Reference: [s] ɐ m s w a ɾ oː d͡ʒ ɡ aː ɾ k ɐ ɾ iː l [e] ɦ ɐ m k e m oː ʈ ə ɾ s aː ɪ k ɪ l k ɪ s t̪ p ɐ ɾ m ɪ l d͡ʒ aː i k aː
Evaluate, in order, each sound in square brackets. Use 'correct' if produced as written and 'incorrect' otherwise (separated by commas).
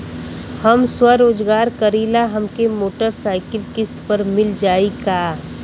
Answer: incorrect, incorrect